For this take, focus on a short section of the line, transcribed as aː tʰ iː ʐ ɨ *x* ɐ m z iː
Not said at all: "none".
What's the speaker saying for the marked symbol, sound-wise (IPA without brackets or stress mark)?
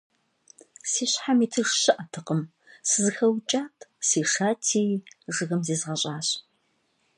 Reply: ɣ